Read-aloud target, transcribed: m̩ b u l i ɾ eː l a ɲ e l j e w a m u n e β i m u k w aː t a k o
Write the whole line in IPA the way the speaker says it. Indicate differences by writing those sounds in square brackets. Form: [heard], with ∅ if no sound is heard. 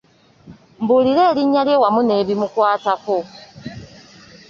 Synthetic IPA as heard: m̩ b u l i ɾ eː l [i] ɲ [a] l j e w a m u n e β i m u k w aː t a k o